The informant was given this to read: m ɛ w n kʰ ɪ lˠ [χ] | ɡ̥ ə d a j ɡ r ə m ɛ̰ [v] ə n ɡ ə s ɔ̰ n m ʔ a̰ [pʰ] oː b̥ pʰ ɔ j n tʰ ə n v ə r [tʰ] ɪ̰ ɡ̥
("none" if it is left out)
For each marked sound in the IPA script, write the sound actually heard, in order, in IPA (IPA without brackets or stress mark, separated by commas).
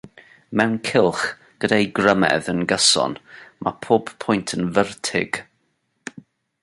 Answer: χ, ð, pʰ, tʰ